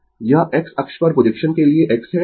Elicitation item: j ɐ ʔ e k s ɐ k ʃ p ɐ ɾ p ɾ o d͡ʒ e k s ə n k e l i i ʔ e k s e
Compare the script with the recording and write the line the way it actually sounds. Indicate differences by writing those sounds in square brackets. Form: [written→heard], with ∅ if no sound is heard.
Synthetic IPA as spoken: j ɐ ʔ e k s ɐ k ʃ p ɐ ɾ p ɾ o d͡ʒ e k [s→ʃ] ə n k e l i [i→e] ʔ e k s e